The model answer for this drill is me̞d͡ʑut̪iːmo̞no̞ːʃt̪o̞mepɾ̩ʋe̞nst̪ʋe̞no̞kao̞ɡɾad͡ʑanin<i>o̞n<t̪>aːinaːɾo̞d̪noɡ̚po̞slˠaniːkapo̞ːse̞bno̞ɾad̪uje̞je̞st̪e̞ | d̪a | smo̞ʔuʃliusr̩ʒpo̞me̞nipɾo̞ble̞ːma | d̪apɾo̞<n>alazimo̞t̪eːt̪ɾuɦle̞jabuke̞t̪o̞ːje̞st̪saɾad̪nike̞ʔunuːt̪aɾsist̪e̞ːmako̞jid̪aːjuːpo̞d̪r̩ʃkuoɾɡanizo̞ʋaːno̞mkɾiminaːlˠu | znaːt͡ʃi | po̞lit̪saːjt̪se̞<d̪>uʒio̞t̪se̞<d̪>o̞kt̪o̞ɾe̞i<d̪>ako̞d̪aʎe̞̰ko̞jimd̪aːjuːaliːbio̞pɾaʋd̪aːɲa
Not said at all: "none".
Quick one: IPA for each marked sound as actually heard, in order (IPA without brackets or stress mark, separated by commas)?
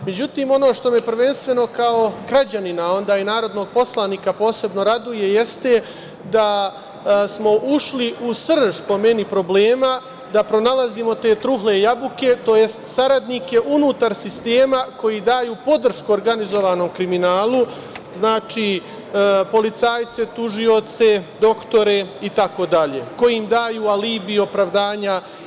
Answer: a, d̪, n, t̪, d̪, t̪